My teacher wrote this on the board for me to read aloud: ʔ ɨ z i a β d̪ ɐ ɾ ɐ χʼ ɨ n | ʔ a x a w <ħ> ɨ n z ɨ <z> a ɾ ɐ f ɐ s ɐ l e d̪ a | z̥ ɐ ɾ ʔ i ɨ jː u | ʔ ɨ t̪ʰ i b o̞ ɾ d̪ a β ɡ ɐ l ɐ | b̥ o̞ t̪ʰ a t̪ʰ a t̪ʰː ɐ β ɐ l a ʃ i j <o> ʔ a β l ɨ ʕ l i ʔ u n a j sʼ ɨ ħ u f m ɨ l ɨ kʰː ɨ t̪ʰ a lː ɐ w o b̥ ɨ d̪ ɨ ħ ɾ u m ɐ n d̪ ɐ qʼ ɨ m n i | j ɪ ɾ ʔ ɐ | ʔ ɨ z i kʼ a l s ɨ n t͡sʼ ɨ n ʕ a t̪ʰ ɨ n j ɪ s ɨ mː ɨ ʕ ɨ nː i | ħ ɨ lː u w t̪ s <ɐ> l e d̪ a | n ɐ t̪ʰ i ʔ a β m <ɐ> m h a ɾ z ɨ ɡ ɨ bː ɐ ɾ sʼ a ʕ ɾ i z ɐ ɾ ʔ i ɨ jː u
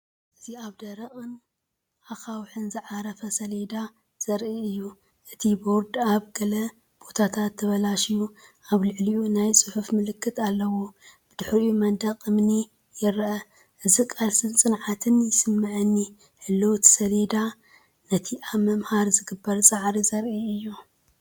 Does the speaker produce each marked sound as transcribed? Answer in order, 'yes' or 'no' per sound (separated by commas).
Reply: yes, no, no, yes, yes